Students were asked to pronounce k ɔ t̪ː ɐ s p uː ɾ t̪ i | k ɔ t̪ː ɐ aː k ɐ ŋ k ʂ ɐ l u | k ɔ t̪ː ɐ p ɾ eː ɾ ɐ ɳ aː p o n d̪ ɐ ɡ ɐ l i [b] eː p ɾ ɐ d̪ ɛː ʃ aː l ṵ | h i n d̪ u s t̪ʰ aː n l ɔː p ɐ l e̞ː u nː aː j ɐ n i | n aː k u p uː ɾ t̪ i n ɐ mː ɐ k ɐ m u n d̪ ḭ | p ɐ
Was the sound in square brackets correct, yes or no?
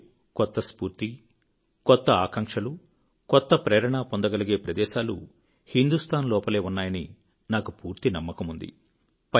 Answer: no